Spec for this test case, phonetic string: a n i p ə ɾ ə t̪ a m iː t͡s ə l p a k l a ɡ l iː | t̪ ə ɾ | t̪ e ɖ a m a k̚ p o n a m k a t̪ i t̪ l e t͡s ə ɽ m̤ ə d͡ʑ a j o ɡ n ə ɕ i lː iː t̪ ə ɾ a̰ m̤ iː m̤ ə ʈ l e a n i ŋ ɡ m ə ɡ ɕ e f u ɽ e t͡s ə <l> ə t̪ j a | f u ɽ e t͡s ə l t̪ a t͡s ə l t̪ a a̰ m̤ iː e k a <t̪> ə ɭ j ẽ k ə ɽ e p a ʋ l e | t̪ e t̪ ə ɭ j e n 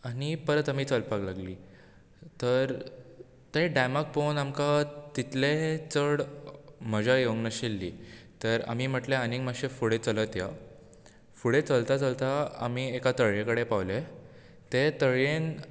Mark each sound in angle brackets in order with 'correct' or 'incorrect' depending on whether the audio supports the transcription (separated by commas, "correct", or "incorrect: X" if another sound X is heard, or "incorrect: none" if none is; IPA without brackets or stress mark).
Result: correct, correct